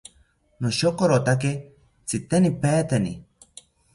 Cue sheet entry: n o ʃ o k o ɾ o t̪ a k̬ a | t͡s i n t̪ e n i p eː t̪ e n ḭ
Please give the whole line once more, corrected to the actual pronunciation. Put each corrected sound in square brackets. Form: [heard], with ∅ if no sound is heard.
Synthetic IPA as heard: n o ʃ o k o ɾ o t̪ a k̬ [e] | t͡s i [∅] t̪ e n i p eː t̪ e n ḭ